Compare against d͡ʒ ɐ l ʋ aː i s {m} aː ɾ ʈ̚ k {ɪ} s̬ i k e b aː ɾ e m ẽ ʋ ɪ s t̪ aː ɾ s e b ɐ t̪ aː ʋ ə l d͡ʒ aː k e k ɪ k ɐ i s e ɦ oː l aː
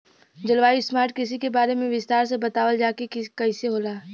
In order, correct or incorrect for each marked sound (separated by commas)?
correct, correct